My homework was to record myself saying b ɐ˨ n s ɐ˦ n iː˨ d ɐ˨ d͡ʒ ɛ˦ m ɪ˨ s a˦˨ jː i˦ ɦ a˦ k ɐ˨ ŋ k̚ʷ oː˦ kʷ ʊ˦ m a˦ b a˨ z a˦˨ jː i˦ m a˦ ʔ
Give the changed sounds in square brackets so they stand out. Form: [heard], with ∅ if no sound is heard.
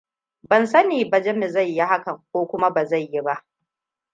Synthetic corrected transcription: b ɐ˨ n s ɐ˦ n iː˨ [b] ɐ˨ d͡ʒ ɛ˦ m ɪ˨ [z] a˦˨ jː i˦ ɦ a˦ k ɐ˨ ŋ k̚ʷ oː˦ kʷ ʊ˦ m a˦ b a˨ z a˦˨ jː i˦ [b] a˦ ʔ